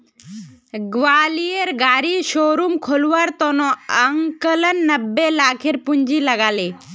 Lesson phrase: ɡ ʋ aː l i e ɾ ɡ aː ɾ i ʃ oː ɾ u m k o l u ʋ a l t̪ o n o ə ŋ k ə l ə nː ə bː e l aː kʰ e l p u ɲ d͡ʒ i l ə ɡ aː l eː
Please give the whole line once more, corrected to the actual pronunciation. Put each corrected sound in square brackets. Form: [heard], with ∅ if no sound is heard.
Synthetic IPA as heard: ɡ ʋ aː l i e ɾ ɡ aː ɾ i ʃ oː ɾ u m [kʰ] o l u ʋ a [ɾ] t̪ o n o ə ŋ k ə l ə nː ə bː e l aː kʰ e [ɾ] p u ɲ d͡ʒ i l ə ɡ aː l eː